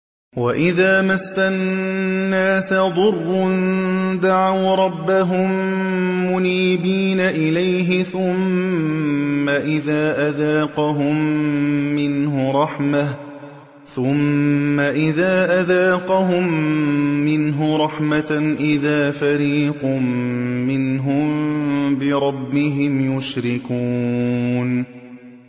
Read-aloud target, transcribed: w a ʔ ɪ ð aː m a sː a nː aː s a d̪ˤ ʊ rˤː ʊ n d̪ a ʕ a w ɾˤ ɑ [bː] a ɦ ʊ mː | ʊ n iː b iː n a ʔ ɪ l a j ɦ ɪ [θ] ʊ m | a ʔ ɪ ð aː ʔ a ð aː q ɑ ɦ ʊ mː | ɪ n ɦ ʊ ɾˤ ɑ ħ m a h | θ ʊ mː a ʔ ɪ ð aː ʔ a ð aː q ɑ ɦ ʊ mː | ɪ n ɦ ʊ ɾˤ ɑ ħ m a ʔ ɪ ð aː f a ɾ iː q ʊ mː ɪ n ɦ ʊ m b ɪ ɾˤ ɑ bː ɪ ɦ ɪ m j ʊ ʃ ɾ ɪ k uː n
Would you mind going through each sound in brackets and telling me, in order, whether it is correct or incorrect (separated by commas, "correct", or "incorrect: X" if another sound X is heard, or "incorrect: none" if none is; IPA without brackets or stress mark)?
correct, correct